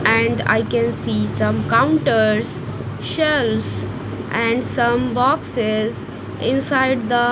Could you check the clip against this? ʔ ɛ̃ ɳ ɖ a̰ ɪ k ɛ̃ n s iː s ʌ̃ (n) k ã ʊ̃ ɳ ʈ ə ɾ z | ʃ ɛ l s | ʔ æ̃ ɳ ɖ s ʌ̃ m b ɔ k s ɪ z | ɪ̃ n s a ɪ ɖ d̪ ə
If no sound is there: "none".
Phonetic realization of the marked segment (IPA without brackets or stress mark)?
m